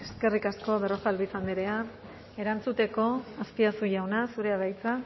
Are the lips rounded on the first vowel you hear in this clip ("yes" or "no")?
no